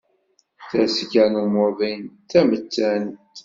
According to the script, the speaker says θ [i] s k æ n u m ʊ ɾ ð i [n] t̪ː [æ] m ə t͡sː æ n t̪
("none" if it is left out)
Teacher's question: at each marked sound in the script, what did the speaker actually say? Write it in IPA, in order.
æ, n, æ

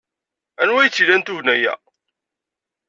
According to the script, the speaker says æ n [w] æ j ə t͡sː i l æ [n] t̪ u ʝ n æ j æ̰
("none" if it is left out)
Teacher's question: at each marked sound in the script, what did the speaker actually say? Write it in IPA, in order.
w, n

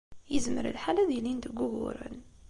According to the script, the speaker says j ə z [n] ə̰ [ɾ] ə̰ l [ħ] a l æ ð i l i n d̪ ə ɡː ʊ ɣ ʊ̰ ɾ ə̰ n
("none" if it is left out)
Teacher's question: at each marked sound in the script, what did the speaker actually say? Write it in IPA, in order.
m, ɾ, ħ

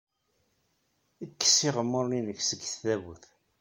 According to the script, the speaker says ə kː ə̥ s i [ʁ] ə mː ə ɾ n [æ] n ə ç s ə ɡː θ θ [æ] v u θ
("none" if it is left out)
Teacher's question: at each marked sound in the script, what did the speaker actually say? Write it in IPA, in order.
ʁ, i, æ

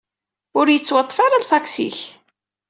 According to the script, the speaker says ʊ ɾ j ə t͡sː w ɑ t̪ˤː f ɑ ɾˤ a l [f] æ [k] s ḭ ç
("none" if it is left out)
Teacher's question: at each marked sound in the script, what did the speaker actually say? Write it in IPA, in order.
f, k

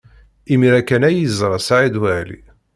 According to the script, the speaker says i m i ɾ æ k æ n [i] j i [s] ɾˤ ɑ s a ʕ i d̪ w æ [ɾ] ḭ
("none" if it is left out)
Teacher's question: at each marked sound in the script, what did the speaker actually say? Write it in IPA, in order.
æ, z, l

